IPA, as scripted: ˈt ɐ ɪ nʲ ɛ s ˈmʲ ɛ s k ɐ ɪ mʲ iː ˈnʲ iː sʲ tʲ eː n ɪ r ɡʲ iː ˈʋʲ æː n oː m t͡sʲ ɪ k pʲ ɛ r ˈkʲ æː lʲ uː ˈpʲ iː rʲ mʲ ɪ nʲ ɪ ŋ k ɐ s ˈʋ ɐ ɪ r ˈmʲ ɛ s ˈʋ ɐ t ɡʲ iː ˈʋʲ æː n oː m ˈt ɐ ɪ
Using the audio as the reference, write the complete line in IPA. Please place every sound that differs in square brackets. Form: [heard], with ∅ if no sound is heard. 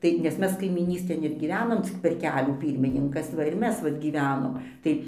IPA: ˈt ɐ ɪ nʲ ɛ s ˈmʲ ɛ s k ɐ ɪ mʲ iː ˈnʲ iː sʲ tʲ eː n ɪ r ɡʲ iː ˈʋʲ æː n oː m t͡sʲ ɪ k pʲ ɛ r ˈkʲ æː lʲ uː ˈpʲ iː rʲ mʲ ɪ nʲ ɪ ŋ k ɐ s ˈʋ ɐ ɪ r ˈmʲ ɛ s ˈʋ ɐ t ɡʲ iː ˈʋʲ æː n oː m ˈt ɐ ɪ